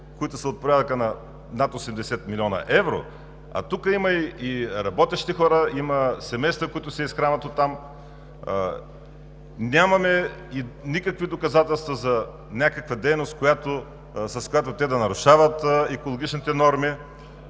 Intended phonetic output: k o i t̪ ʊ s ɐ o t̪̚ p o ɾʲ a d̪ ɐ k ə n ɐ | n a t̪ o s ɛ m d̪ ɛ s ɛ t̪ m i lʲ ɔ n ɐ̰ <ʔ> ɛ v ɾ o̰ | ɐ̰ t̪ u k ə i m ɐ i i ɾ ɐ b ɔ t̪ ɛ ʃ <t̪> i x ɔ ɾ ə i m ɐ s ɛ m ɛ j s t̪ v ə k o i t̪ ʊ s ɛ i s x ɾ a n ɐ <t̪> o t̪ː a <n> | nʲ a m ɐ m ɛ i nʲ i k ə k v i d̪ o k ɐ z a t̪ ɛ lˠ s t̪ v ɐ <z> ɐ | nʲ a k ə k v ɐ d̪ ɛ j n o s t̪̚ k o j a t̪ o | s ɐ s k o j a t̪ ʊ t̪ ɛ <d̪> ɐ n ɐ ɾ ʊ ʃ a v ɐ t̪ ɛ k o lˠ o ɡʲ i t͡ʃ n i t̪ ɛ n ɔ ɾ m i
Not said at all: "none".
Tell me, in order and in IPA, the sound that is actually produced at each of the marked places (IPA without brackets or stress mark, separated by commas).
ʔ, t̪, t̪, m, z, d̪